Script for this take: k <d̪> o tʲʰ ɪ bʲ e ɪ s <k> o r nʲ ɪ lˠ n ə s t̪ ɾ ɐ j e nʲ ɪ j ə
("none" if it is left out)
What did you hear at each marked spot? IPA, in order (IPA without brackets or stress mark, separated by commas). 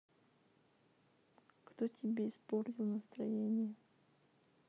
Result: t̪, p